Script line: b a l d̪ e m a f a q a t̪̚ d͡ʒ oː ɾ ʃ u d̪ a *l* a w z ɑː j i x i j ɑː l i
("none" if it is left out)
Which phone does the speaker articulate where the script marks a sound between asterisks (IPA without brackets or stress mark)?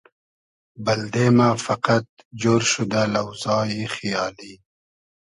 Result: l